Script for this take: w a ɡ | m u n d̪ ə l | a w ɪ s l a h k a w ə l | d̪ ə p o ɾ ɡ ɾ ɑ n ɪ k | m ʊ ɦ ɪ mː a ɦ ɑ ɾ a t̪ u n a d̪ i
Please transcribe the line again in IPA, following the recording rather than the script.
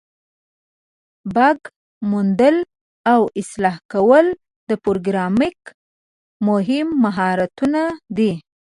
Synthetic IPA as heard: b a ɡ | m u n d̪ ə l | a w ɪ s l ɑ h k a w ə l | d̪ ə p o ɾ ɡ ɾ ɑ m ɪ k | m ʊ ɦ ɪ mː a ɦ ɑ ɾ a t̪ u n a d̪ i